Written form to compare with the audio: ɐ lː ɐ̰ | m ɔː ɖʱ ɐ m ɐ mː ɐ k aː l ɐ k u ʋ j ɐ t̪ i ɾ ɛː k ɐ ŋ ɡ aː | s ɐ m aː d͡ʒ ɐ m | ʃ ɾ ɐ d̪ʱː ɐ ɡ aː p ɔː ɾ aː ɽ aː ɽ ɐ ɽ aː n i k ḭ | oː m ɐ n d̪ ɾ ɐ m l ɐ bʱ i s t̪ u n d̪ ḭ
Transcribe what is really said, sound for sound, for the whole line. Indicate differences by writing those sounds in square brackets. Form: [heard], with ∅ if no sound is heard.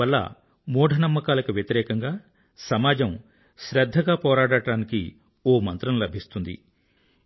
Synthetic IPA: ɐ lː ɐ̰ | m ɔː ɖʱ ɐ [n] ɐ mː ɐ k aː l ɐ k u ʋ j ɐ t̪ i ɾ ɛː k ɐ ŋ ɡ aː | s ɐ m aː d͡ʒ ɐ m | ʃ ɾ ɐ d̪ʱː ɐ ɡ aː p ɔː ɾ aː ɽ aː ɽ ɐ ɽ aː n i k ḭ | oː m ɐ n [t̪] ɾ ɐ m l ɐ bʱ i s t̪ u n d̪ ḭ